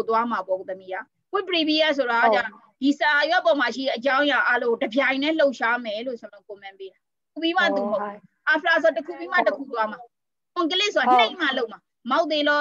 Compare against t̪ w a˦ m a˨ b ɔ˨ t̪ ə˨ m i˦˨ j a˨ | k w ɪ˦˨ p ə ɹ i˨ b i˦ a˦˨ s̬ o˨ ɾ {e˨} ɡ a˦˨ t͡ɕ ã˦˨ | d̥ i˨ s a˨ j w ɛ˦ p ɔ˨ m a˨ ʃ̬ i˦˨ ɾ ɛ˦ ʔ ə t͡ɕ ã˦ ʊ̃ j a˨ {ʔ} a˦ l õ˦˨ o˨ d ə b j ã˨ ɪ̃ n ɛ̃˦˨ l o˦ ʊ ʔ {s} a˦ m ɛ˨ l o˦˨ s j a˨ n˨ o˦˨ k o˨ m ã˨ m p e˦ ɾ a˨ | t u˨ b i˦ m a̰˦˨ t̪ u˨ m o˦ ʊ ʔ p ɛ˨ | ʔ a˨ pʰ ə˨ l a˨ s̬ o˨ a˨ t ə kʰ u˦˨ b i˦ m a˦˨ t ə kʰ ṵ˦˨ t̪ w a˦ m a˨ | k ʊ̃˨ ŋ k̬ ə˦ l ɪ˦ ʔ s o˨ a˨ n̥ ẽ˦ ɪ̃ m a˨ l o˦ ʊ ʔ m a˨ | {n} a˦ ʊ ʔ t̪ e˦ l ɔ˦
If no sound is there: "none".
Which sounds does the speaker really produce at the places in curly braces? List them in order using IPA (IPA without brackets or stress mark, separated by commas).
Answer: a˨, ʔ, ʃ, m